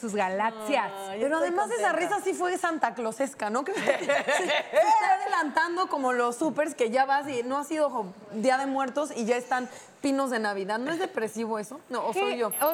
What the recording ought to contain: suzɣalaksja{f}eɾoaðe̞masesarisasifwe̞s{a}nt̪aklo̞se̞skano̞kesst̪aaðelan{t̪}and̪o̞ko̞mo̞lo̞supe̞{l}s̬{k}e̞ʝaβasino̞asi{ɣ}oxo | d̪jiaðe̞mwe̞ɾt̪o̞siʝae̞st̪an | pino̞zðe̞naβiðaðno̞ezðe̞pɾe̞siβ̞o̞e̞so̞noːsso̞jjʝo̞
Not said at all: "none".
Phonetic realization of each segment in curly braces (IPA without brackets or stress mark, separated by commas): s, a, t̪, ɾ, k, ð